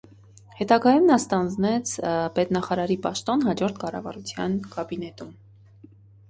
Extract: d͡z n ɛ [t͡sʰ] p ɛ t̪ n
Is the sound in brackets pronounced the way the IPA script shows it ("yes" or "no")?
yes